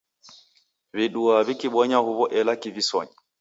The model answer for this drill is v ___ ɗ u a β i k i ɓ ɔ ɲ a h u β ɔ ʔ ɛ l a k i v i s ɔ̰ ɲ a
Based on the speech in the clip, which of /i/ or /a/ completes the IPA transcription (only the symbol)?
i